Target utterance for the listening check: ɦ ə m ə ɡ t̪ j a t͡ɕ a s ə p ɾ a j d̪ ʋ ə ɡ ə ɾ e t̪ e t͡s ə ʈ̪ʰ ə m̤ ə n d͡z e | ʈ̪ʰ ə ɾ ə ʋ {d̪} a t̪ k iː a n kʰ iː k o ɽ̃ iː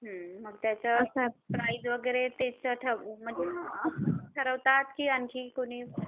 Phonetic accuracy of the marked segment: incorrect: t̪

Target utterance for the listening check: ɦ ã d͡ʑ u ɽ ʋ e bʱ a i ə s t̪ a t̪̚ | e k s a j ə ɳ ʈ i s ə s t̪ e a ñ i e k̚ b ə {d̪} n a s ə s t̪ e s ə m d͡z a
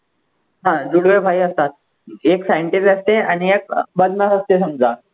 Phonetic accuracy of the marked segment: correct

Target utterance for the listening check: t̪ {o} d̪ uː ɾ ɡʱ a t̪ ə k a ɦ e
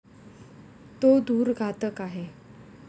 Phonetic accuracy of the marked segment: correct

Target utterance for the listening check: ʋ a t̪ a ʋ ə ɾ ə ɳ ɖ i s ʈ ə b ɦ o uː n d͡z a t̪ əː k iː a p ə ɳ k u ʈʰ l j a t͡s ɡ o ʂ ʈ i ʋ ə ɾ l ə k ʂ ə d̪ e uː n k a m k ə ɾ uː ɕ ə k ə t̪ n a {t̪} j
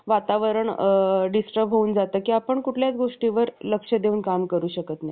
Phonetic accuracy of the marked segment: incorrect: none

